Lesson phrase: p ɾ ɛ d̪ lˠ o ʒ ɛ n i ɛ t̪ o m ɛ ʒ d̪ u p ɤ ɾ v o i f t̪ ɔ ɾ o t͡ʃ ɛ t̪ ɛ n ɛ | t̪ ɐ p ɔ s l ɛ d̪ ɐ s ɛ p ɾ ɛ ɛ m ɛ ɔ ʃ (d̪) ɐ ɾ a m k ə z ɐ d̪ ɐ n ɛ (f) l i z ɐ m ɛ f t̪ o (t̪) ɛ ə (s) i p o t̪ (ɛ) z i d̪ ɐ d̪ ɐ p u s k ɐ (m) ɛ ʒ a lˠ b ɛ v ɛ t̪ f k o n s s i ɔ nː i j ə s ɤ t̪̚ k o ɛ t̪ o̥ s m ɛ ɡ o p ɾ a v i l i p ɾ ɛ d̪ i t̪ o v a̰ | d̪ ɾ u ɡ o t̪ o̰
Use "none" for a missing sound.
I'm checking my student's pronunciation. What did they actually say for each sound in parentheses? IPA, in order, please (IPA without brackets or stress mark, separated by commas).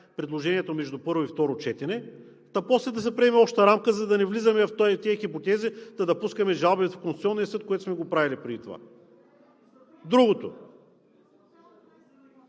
t̪, v, t̪, x, ɛ, m